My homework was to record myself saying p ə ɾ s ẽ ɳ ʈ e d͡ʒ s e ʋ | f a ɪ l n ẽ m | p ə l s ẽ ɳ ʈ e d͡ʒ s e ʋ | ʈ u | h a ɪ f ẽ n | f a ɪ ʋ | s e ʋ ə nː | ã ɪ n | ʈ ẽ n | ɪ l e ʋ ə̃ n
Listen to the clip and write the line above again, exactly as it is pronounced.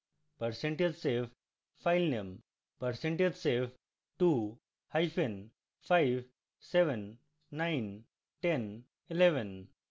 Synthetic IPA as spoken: p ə ɾ s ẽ ɳ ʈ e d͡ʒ s e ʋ | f a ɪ l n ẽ m | p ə ɾ s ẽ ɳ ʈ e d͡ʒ s e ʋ | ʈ u | h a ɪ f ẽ n | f a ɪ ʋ | s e ʋ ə nː | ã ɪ n | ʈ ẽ n | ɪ l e ʋ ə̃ n